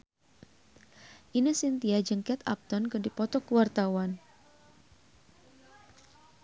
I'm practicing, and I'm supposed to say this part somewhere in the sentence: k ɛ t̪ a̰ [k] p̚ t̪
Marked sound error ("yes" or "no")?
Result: yes